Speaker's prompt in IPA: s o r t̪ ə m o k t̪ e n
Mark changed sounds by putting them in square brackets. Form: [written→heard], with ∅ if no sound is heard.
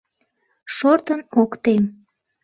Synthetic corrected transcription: [s→ʃ] o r t̪ ə [m→n] o k t̪ e [n→m]